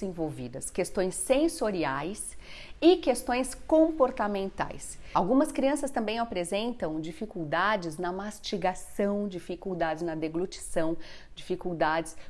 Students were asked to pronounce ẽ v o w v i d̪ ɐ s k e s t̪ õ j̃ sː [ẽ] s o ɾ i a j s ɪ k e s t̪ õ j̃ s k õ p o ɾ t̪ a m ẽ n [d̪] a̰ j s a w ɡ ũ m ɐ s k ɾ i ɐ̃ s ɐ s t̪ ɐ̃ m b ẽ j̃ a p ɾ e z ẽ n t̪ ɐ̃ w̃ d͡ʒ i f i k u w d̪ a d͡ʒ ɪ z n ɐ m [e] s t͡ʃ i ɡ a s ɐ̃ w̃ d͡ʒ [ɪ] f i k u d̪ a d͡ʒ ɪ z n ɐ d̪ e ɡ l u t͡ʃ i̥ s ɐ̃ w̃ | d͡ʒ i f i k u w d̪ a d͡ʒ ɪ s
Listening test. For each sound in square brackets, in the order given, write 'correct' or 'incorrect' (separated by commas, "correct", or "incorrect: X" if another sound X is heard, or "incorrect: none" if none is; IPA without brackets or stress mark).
correct, incorrect: t̪, incorrect: a, incorrect: i